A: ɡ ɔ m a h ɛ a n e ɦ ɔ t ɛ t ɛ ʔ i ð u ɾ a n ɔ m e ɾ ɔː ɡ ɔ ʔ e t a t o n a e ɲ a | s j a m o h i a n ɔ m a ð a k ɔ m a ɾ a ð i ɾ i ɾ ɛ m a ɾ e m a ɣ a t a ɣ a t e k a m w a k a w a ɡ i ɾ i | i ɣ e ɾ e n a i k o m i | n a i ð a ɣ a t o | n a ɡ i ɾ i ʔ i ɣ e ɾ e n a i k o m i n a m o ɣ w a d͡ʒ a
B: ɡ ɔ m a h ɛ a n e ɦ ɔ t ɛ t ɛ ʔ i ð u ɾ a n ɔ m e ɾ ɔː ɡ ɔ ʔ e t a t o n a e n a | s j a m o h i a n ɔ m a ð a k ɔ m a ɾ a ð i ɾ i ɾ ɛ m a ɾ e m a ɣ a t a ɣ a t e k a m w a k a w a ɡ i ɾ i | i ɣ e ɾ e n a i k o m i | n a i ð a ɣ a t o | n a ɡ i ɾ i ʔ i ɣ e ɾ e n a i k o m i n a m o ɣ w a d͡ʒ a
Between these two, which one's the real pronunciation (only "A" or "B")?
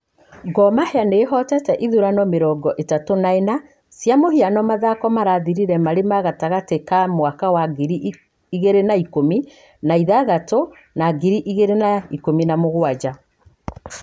B